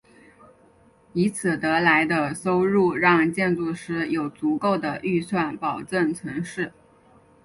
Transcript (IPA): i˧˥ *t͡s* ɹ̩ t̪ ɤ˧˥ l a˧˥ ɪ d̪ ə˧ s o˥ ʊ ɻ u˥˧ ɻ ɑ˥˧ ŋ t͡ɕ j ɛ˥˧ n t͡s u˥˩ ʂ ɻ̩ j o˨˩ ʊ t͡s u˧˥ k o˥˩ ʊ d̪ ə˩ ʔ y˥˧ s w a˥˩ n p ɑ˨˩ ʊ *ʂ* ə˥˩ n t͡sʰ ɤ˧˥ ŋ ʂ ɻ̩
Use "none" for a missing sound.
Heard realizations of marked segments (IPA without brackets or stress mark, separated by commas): t͡sʰ, ʈ͡ʂ